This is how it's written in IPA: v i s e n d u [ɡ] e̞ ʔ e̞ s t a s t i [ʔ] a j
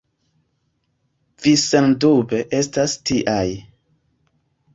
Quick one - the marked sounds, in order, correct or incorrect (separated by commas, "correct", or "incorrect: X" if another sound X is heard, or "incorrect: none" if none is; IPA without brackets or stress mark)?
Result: incorrect: b, correct